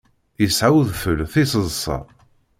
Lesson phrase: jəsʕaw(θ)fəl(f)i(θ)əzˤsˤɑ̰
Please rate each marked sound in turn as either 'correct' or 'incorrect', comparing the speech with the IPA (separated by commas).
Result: incorrect, incorrect, incorrect